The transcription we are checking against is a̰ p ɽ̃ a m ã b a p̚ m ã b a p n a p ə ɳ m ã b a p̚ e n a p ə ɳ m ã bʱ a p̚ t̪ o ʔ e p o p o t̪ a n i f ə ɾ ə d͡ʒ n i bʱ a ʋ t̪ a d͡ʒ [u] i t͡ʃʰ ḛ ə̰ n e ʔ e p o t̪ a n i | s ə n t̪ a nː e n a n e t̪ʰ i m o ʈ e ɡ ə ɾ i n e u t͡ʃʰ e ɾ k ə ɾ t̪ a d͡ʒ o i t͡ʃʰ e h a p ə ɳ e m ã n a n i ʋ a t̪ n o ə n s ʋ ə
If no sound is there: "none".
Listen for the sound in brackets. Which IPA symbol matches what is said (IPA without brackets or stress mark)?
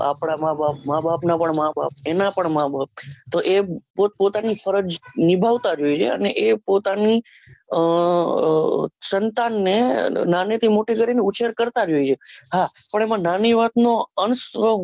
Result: o